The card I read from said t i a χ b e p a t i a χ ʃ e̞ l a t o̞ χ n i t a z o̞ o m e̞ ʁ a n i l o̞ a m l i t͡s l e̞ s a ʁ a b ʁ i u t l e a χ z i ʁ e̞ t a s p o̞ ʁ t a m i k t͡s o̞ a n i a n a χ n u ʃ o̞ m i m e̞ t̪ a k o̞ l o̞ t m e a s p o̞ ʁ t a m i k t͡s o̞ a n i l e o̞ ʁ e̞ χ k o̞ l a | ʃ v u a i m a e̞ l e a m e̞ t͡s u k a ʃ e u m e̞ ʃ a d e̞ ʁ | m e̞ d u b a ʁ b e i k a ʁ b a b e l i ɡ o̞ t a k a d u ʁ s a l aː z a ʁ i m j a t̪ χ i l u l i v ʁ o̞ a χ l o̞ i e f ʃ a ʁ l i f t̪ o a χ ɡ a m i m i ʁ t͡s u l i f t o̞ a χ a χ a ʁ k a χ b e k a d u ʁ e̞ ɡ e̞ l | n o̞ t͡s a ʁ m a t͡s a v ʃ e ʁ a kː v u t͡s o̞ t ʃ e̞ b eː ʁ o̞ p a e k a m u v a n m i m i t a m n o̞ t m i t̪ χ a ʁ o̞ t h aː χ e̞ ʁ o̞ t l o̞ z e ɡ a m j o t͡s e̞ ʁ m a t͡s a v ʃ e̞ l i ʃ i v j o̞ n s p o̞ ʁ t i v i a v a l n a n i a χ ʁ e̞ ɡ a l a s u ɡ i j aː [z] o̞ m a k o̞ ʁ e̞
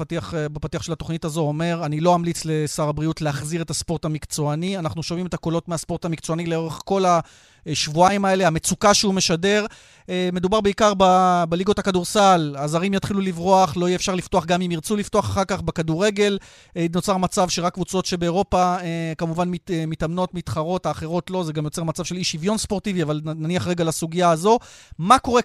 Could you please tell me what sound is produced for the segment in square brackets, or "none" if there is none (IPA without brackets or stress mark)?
z